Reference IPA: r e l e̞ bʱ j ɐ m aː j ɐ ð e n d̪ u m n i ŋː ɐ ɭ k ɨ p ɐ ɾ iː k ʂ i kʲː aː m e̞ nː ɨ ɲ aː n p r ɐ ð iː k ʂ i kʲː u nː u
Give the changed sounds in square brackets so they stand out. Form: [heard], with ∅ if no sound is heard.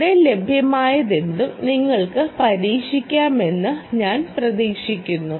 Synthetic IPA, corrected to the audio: [ɽ] e l e̞ bʱ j ɐ m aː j ɐ ð e n d̪ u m n i ŋː ɐ ɭ k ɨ p ɐ ɾ iː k ʂ i kʲː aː m e̞ nː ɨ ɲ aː n p r ɐ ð iː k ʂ i kʲː u nː u